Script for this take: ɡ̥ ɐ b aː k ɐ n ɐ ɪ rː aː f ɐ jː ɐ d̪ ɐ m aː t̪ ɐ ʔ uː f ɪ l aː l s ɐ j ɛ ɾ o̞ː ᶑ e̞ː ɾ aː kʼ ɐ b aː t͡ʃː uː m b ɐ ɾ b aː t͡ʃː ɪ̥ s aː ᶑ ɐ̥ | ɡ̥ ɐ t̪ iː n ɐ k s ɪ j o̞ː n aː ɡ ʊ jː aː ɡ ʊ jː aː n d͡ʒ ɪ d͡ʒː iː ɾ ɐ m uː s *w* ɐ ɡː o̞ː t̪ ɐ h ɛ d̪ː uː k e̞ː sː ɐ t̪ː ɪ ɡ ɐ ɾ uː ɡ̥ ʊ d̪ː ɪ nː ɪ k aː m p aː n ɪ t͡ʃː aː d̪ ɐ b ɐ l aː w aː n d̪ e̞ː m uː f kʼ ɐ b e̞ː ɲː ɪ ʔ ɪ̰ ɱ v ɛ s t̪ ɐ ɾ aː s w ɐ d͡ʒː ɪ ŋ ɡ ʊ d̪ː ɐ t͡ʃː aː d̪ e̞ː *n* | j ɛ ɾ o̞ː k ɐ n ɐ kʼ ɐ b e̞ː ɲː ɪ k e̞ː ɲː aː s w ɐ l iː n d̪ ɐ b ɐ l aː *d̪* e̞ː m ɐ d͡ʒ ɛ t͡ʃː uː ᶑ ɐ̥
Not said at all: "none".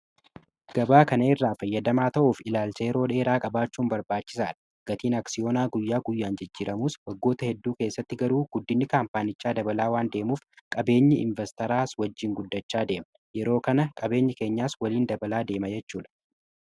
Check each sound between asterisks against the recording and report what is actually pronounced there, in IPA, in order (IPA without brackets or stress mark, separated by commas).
w, m, d̪